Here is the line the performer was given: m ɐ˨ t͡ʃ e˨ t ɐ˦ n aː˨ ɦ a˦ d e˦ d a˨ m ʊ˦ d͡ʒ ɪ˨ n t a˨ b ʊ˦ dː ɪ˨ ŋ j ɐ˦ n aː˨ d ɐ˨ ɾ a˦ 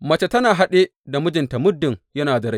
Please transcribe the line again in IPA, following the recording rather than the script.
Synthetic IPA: m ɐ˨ t͡ʃ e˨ t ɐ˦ n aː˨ ɦ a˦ ɗ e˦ d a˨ m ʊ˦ d͡ʒ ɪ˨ n t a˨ m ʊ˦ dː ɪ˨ ŋ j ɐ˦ n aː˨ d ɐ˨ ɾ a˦